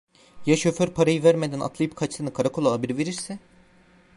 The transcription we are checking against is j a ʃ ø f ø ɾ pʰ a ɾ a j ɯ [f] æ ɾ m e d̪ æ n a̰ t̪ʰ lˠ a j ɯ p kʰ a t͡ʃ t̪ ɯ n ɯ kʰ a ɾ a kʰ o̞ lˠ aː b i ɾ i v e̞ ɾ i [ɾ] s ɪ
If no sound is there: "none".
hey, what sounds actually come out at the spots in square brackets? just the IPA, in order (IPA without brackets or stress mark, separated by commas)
v, ɾ